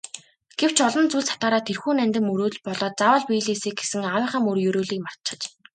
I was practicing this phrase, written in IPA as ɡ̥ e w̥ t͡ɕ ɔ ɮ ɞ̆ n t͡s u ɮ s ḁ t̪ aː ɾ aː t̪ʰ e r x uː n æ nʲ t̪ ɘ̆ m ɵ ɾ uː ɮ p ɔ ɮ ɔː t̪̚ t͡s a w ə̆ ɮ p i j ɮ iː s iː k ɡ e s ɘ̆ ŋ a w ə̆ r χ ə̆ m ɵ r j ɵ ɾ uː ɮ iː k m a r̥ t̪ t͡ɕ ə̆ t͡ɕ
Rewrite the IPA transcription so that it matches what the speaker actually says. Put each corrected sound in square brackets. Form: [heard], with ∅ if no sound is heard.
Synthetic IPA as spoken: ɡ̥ e w̥ t͡ɕ ɔ ɮ ɞ̆ n t͡s u ɮ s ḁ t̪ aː ɾ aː t̪ʰ e r x uː n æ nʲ t̪ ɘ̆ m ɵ ɾ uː ɮ p ɔ ɮ ɔː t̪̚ t͡s a w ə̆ ɮ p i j ɮ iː s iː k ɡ e s ɘ̆ ŋ a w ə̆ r χ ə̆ m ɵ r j ɵ ɾ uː ɮ iː k m a r̥ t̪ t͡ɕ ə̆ t͡ɕ